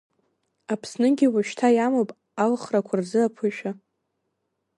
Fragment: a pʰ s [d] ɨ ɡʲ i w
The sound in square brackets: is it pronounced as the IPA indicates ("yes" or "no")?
no